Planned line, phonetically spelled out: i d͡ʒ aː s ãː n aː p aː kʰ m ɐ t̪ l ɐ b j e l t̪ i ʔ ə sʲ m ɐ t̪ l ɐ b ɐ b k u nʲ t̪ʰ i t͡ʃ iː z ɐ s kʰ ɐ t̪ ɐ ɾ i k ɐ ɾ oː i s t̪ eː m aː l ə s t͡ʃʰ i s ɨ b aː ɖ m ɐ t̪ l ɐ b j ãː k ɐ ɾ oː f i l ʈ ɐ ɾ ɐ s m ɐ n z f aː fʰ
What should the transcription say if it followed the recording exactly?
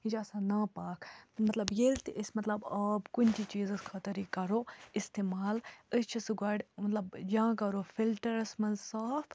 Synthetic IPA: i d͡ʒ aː s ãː n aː p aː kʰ m ɐ t̪ l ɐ b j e l t̪ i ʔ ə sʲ m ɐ t̪ l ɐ b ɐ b k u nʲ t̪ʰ i t͡ʃ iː z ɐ s kʰ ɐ t̪ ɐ ɾ i k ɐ ɾ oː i s t̪ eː m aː l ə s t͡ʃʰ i s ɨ ɡ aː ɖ m ɐ t̪ l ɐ b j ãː k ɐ ɾ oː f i l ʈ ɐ ɾ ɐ s m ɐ n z s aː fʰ

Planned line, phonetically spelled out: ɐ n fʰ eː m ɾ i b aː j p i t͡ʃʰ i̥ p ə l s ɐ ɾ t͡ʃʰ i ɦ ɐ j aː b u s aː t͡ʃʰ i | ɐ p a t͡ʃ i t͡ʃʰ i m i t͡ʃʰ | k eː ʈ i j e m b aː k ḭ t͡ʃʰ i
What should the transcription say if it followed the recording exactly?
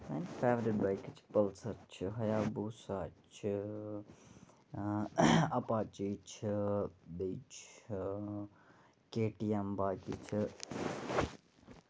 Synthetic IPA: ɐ n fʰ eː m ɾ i b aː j k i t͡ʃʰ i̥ p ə l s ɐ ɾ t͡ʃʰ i ɦ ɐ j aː b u s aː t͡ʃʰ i | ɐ p a t͡ʃ i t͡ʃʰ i b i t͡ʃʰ | k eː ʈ i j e m b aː k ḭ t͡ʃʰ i

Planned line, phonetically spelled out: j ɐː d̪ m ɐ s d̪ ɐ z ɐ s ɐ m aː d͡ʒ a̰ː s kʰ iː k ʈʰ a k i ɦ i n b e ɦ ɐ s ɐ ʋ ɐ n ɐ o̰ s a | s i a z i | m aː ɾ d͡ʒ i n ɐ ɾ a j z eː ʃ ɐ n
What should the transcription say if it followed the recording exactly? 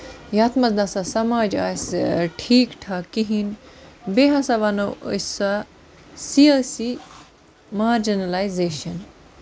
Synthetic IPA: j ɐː t̪ m ɐ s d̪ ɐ s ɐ s ɐ m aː d͡ʒ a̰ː s ʈʰ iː k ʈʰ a k i ɦ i n b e ɦ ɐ s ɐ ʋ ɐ n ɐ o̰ s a | s i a s i | m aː ɾ d͡ʒ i n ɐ l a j z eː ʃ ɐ n

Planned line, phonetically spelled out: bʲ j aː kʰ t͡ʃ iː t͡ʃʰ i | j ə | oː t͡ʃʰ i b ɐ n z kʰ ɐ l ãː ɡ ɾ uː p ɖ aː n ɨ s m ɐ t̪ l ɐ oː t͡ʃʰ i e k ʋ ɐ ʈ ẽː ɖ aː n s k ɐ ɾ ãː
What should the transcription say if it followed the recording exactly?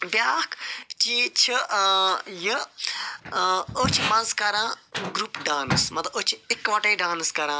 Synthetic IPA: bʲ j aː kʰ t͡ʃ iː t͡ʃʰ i | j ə | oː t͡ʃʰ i m ɐ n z k ɐ ɾ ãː ɡ ɾ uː p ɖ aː n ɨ s m ɐ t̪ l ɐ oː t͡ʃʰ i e k ʋ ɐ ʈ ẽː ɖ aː n s k ɐ ɾ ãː

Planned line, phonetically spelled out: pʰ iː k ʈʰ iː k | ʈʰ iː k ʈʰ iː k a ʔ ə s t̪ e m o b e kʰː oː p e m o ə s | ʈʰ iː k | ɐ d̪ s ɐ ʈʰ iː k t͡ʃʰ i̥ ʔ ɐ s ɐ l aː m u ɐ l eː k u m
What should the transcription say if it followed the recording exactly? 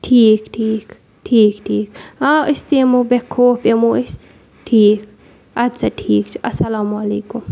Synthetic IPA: ʈʰ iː k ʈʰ iː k | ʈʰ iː k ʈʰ iː k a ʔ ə s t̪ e m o b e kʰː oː p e m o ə s | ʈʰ iː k | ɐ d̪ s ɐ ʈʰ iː k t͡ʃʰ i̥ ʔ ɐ s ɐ l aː m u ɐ l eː k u m

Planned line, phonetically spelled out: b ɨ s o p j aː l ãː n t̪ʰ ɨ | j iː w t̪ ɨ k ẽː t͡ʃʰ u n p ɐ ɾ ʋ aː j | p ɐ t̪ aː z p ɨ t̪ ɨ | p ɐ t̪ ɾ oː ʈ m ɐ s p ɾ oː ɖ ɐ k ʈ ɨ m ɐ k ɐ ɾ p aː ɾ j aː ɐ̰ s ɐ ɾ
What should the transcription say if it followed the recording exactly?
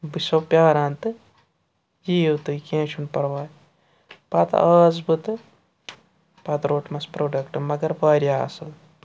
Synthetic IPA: b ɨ s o p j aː ɾ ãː n t̪ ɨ | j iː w t̪ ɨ k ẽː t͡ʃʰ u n p ɐ ɾ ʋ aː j | p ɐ t̪ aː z b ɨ t̪ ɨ | p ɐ t̪ ɾ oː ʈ m ɐ s p ɾ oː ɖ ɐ k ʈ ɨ m ɐ ɡ ɐ ɾ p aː ɾ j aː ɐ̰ s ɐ l

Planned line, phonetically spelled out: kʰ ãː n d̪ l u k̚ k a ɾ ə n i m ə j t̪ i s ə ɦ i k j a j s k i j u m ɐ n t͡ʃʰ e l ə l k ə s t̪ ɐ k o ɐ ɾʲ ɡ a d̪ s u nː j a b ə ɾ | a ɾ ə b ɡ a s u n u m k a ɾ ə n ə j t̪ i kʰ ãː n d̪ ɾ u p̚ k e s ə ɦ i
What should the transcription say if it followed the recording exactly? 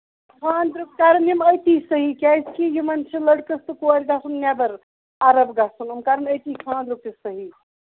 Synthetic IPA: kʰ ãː n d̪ ɾ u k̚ k a ɾ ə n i m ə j t̪ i s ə ɦ i k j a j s k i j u m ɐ n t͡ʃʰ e l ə ɽ k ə s t̪ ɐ k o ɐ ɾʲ ɡ a s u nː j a b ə ɾ | a ɾ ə b ɡ a s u n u m k a ɾ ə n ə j t̪ i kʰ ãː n d̪ ɾ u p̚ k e s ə ɦ i

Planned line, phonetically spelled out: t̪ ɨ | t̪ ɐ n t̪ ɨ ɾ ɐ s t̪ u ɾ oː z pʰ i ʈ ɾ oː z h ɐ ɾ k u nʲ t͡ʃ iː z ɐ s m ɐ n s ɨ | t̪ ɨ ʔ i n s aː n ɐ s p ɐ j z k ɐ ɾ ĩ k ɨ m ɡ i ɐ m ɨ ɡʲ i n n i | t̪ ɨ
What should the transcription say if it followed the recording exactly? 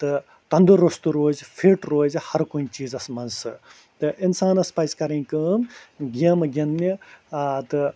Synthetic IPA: t̪ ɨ | t̪ ɐ n d̪ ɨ ɾ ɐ s t̪ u ɾ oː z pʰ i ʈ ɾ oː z h ɐ ɾ k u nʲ t͡ʃ iː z ɐ s m ɐ n s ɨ | t̪ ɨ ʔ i n s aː n ɐ s p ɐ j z k ɐ ɾ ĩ k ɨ m ɡ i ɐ m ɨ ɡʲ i n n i | t̪ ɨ

